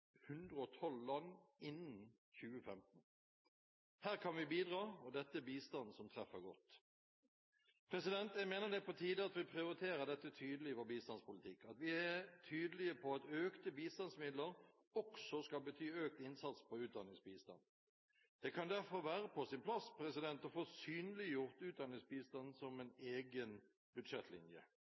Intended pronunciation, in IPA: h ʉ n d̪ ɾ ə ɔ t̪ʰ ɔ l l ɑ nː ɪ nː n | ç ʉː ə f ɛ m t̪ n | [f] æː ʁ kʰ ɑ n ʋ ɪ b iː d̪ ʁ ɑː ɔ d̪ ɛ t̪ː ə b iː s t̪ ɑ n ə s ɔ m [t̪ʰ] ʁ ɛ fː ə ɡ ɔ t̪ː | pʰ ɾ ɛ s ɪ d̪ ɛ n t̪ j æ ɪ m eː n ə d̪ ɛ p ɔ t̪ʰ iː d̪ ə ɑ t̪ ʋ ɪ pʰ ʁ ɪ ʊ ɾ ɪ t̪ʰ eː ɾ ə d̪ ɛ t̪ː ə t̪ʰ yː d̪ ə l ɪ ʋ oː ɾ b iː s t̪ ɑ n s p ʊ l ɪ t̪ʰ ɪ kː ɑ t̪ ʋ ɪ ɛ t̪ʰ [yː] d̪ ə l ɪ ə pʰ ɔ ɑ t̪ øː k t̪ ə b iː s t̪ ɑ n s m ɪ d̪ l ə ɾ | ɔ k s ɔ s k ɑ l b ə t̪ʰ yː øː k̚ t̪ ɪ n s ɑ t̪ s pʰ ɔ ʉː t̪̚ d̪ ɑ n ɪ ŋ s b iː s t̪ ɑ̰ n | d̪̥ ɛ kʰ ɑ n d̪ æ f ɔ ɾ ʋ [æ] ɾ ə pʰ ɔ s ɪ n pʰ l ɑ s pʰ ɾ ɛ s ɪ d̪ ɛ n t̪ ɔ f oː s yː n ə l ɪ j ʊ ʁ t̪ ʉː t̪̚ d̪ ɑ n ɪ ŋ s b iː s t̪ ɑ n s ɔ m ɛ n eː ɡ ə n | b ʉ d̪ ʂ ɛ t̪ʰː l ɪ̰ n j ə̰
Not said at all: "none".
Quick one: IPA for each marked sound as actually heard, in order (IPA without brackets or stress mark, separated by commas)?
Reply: h, t̪ʰ, yː, æː